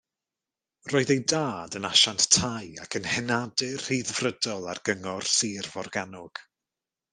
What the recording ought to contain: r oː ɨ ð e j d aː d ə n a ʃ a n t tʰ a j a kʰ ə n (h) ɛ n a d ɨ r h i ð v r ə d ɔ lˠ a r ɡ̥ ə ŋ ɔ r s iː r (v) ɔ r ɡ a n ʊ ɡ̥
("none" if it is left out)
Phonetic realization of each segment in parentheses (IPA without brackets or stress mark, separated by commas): h, v